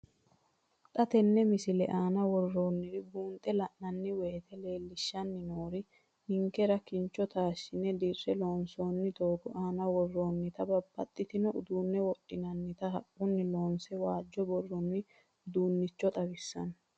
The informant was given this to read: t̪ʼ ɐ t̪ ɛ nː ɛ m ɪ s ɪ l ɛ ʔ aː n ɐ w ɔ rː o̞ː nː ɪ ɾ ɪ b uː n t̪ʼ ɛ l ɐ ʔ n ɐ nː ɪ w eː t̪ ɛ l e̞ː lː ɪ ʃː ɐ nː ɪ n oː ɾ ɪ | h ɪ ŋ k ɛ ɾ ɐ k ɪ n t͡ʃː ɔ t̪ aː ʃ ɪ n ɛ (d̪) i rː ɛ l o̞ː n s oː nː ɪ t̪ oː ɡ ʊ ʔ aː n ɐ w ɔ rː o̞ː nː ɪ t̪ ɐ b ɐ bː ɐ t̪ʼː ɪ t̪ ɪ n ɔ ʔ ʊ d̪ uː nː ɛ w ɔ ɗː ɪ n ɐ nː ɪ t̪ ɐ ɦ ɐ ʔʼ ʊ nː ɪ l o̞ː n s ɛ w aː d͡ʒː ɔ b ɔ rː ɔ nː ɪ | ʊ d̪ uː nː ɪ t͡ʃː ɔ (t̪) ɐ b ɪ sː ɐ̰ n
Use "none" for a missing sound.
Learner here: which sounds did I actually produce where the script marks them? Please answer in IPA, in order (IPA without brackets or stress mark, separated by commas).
d̪, t̪ʼ